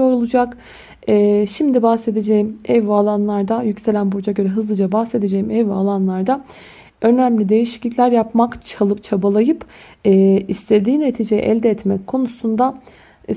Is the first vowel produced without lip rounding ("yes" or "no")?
no